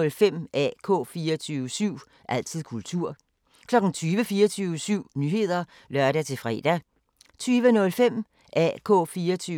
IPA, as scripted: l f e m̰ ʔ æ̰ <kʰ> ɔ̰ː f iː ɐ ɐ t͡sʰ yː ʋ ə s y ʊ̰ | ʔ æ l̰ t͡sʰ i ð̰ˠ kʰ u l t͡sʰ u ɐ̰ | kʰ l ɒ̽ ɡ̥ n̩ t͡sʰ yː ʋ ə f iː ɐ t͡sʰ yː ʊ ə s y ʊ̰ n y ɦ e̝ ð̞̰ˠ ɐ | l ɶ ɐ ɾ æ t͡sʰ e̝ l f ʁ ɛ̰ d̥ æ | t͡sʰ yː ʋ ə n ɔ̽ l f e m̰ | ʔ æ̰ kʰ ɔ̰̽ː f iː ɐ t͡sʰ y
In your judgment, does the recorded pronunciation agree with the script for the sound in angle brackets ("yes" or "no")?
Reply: yes